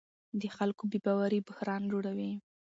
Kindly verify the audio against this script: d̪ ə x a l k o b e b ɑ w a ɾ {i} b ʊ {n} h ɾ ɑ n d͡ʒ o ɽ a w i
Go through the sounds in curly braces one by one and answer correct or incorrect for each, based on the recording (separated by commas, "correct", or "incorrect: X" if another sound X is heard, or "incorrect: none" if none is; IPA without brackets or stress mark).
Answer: correct, incorrect: none